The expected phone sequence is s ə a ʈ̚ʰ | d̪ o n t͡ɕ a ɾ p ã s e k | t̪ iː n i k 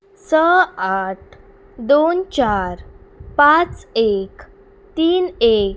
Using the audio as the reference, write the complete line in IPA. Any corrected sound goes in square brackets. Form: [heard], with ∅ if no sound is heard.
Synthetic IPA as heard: s ə a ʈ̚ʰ | d̪ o n t͡ɕ a ɾ p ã [t͡s] e k | t̪ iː n [e] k